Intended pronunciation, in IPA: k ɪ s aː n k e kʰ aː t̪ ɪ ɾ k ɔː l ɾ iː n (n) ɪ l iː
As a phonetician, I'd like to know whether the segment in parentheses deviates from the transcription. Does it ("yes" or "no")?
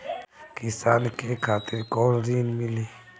yes